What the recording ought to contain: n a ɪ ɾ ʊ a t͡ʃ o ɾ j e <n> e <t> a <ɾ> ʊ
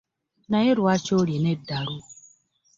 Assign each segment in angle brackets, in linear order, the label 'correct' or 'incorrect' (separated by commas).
correct, incorrect, correct